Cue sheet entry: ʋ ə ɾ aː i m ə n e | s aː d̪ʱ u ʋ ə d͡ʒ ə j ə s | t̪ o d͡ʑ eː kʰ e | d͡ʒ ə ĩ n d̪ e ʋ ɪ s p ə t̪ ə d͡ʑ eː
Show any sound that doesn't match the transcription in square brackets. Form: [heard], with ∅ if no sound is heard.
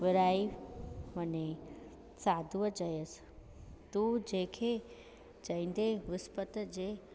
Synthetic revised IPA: ʋ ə ɾ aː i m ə n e | s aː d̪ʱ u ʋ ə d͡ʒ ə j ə s | t̪ [u] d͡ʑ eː kʰ e | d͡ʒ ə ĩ n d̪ e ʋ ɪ s p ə t̪ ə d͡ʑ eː